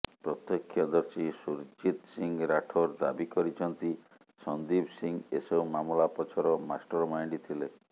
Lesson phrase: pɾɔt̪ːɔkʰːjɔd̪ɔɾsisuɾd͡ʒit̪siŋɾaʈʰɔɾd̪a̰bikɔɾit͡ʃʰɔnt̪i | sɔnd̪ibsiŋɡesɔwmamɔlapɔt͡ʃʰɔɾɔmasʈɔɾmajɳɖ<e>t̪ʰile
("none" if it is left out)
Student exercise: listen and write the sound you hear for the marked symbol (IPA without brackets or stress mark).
i